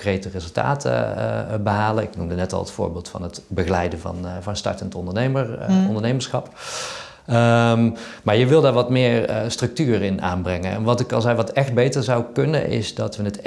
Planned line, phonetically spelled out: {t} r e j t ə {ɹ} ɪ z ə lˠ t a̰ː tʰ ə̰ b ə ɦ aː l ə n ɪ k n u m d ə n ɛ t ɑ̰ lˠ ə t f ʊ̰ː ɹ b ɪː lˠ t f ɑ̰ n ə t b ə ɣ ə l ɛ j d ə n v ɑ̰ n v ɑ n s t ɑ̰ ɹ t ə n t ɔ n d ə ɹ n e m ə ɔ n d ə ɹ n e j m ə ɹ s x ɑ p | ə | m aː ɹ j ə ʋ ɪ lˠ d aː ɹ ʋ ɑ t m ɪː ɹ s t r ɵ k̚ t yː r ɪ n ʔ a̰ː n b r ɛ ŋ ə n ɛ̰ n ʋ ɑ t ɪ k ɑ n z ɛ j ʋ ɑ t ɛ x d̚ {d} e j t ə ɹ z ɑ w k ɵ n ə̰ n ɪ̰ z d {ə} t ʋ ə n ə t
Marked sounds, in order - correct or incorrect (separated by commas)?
incorrect, incorrect, incorrect, incorrect